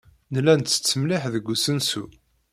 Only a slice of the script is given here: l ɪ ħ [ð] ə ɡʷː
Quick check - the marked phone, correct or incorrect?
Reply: correct